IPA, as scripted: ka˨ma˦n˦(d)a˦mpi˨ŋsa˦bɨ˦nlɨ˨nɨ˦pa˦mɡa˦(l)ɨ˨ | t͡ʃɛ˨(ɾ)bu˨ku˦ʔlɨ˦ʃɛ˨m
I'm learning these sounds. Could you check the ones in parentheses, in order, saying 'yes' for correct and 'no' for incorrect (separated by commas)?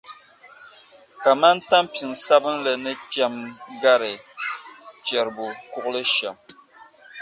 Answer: no, no, yes